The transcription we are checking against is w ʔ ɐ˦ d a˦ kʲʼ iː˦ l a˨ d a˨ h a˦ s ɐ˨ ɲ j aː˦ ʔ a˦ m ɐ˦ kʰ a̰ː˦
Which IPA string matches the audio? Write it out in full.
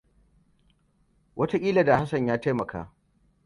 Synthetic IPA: w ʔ ɐ˦ t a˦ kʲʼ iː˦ l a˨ d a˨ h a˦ s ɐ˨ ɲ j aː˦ t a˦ m ɐ˨ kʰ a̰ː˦